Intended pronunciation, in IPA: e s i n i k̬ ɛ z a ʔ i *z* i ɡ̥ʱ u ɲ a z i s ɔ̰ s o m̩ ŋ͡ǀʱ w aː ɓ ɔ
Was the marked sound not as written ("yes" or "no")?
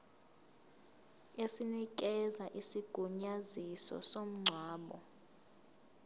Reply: yes